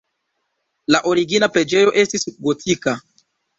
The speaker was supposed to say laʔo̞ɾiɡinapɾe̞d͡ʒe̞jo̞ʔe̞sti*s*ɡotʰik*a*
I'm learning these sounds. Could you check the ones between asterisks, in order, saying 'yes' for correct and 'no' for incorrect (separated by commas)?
yes, yes